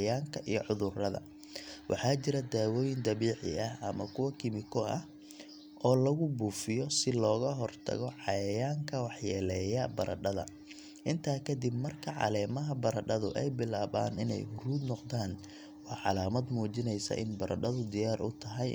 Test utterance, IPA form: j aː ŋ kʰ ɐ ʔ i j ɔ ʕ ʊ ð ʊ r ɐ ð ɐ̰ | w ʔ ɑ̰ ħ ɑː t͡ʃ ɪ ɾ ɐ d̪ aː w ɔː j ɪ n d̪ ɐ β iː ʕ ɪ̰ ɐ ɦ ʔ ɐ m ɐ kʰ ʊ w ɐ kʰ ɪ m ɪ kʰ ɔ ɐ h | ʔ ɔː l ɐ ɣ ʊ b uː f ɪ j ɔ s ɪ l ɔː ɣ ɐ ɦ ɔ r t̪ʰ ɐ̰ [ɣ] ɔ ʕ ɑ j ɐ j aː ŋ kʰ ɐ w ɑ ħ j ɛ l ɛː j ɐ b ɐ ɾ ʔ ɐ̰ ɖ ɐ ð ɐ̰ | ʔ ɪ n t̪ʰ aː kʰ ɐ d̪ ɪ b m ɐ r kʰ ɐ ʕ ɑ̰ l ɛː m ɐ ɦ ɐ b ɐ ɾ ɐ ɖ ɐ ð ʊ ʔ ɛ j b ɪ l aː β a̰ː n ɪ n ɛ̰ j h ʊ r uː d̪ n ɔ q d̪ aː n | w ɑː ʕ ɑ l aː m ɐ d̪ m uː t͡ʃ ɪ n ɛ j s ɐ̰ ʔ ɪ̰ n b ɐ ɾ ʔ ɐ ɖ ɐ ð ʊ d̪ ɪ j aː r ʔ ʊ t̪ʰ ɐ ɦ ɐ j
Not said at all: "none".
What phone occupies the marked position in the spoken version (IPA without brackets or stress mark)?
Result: ɣ